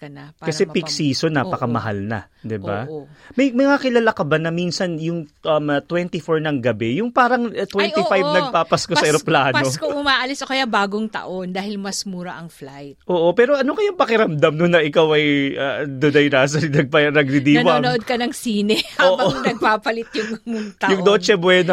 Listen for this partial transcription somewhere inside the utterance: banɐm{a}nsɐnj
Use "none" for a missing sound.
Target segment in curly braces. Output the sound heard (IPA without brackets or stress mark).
i